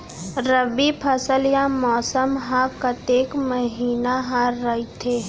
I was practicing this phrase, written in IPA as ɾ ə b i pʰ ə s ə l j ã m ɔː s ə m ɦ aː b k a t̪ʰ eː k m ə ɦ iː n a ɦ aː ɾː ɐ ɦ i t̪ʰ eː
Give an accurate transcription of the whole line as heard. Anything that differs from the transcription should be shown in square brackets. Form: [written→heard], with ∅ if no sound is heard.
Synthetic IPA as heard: ɾ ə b i pʰ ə s ə l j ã m ɔː s ə m ɦ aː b k a [t̪ʰ→t̪] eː k m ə ɦ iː n a ɦ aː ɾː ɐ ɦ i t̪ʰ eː